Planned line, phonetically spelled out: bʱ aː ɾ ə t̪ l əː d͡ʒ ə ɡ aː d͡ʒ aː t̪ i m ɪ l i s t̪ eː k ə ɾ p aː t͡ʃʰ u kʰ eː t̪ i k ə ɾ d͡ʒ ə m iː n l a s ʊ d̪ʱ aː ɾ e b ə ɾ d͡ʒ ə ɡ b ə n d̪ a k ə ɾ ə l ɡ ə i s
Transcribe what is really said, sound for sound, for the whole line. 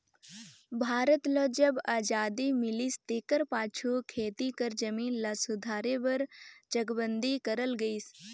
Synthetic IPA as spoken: bʱ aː ɾ ə t̪ l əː d͡ʒ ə b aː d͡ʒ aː d̪ i m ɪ l i s t̪ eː k ə ɾ p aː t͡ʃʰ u kʰ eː t̪ i k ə ɾ d͡ʒ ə m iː n l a s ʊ d̪ʱ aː ɾ e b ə ɾ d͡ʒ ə ɡ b ə n d̪ i k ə ɾ ə l ɡ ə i s